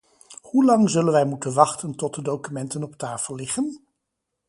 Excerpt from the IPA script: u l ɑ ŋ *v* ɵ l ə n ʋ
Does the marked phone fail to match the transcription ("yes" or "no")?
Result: yes